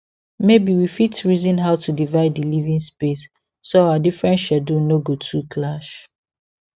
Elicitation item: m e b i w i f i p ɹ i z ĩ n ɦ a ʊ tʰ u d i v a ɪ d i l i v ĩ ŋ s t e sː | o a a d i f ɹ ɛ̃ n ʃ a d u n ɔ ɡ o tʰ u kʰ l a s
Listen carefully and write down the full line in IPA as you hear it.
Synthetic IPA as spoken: m e b i w i f i t ɹ i z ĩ n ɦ a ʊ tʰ u d i v a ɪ d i l i v ĩ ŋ s p e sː | o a a d i f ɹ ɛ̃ n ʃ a d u n o ɡ o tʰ u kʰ l a ʃ